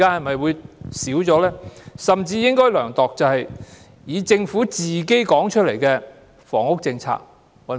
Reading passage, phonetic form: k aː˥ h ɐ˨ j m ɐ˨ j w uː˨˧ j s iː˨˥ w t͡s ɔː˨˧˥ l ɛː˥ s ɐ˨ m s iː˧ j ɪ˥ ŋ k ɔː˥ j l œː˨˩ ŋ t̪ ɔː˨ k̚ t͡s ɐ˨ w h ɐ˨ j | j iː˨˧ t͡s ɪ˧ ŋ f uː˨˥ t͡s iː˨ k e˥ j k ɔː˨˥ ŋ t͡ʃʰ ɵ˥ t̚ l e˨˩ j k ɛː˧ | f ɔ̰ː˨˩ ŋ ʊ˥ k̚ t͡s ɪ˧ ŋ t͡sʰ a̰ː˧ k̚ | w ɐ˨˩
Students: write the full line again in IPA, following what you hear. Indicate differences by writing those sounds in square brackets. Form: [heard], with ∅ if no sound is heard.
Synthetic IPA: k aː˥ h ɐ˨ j m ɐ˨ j w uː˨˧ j s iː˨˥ w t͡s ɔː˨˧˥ l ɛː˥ s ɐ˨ m [t͡s] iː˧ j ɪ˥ ŋ k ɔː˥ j l œː˨˩ ŋ t̪ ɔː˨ k̚ t͡s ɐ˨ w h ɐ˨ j | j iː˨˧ t͡s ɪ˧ ŋ f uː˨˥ t͡s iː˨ k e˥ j k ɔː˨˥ ŋ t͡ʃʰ ɵ˥ t̚ l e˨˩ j k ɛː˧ | f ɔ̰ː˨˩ ŋ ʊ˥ k̚ t͡s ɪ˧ ŋ t͡sʰ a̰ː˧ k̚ | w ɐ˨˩

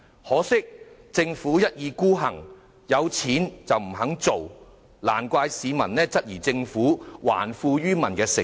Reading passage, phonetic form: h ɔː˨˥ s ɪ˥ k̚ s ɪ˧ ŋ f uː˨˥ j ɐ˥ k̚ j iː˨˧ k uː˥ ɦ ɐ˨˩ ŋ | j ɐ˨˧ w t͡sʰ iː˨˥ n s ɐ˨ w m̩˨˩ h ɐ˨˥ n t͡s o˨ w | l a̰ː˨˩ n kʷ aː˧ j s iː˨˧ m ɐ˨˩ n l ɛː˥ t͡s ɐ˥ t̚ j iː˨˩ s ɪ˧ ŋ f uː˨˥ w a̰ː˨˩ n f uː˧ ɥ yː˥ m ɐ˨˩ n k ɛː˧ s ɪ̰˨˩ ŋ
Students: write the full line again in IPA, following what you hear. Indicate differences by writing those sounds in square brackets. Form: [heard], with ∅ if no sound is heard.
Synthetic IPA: h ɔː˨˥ s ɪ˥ k̚ [t͡s] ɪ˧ ŋ f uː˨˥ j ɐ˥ [t̚] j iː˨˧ k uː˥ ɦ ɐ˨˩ ŋ | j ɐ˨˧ w t͡sʰ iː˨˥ n [t͡s] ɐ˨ w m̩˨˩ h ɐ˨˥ [ŋ] t͡s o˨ w | l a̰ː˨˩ n kʷ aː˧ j s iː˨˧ m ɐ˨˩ n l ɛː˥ t͡s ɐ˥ t̚ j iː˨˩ [t͡s] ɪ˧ ŋ f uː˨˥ w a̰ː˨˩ n f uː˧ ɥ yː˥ m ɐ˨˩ n k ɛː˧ s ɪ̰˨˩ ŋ

